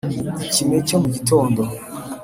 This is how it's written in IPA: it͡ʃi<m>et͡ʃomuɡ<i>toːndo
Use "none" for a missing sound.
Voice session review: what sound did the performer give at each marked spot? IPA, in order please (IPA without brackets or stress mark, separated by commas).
m, i